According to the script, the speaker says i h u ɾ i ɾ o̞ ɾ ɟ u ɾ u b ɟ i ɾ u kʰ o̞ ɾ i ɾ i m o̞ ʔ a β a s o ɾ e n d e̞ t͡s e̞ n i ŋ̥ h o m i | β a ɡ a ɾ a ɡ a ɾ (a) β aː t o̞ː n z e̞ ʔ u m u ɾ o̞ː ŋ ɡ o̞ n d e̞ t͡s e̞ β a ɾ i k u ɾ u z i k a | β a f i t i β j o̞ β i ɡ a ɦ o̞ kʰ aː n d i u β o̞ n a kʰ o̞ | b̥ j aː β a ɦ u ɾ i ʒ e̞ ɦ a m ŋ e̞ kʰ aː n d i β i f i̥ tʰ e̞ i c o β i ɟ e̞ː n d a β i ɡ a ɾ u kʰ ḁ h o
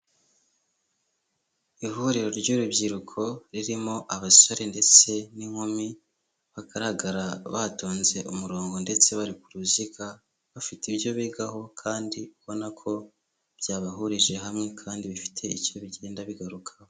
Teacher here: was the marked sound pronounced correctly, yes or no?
yes